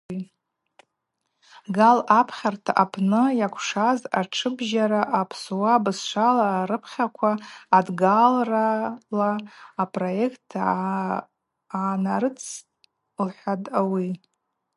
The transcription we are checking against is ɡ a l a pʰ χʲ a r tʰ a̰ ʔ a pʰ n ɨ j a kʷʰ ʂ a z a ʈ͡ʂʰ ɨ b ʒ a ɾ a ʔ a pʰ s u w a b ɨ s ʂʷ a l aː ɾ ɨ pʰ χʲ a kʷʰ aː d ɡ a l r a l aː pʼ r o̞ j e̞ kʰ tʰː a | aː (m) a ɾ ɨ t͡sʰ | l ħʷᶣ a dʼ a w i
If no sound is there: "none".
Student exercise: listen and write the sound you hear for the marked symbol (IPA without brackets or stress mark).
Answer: n